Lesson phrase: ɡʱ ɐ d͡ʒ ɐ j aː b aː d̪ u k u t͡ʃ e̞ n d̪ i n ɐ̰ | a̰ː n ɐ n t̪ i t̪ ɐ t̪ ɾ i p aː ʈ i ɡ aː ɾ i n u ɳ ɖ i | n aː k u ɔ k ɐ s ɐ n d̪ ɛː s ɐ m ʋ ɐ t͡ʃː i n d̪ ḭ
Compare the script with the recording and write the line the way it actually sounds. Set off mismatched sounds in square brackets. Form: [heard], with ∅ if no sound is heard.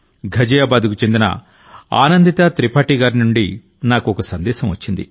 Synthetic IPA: ɡʱ ɐ d͡ʒ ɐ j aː b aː d̪ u k u t͡ʃ e̞ n d̪ i n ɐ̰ | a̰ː n ɐ n [d̪] i t̪ ɐ t̪ ɾ i p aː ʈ i ɡ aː ɾ i n u ɳ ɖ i | n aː k u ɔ k ɐ s ɐ n d̪ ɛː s ɐ m ʋ ɐ t͡ʃː i n d̪ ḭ